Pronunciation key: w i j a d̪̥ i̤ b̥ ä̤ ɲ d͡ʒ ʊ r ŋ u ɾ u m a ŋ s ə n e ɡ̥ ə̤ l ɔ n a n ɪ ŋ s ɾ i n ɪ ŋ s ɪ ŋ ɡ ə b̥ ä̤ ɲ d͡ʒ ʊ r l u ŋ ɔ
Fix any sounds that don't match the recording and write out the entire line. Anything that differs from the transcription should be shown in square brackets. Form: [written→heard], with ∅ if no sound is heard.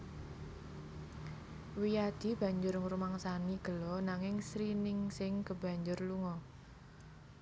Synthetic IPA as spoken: w i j a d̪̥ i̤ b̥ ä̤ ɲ d͡ʒ ʊ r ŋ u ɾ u m a ŋ s [ə→a] n [e→i] ɡ̥ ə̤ l ɔ n a [n→ŋ] ɪ ŋ s ɾ i n ɪ ŋ s ɪ ŋ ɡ ə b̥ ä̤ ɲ d͡ʒ ʊ r l u ŋ ɔ